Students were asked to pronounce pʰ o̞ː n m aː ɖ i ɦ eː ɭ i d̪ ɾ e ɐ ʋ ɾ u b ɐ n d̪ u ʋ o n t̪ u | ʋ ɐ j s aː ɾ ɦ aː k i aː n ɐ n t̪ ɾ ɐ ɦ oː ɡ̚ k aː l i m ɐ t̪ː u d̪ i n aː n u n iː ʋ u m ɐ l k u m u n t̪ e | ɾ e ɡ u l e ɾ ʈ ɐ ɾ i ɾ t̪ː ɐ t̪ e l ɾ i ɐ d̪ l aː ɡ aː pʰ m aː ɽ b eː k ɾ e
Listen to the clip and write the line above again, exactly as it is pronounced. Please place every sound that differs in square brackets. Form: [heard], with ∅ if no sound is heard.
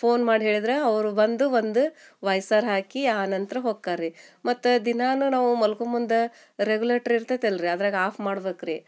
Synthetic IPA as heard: pʰ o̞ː n m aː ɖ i ɦ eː ɭ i d̪ ɾ e ɐ ʋ ɾ u b ɐ n d̪ u ʋ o n [d̪] u | ʋ ɐ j s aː ɾ ɦ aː k i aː n ɐ n t̪ ɾ ɐ ɦ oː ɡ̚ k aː [ɾ] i m ɐ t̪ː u d̪ i n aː n u n [aː] ʋ u m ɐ l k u m u n [d̪] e | ɾ e ɡ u l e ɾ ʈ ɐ ɾ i ɾ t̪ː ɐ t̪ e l ɾ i ɐ d̪ [ɾ] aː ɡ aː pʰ m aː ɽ b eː k ɾ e